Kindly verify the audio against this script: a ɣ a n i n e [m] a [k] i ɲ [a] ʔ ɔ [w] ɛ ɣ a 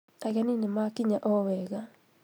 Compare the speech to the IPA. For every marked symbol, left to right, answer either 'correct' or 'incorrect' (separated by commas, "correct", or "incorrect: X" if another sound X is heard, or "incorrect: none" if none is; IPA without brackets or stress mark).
correct, correct, correct, correct